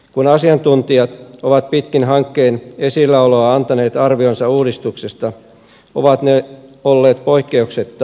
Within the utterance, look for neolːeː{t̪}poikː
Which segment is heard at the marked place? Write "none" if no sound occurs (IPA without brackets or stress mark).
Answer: t̪